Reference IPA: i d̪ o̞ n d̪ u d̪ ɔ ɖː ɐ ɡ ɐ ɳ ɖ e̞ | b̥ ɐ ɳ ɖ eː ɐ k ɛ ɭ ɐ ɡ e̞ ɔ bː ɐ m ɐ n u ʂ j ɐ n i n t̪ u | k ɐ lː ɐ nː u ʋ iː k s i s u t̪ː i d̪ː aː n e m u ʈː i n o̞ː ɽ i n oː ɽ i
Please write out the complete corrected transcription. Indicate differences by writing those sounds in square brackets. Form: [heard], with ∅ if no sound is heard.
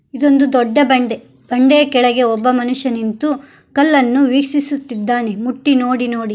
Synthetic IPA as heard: i d̪ o̞ n d̪ u d̪ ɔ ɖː ɐ [b] ɐ ɳ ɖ e̞ | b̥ ɐ ɳ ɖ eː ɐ k ɛ ɭ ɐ ɡ e̞ ɔ bː ɐ m ɐ n u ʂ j ɐ n i n t̪ u | k ɐ lː ɐ nː u ʋ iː k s i s u t̪ː i d̪ː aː n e m u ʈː i n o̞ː ɽ i n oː ɽ i